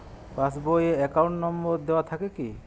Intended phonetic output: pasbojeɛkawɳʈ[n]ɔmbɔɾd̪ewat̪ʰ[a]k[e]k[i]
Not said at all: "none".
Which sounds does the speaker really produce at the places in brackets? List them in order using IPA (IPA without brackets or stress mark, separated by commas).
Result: n, a, e, i